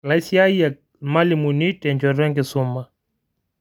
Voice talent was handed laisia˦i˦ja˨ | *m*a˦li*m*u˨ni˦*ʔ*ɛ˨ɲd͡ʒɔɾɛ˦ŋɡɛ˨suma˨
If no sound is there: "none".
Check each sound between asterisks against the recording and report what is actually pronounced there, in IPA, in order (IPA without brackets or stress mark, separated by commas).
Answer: m, m, t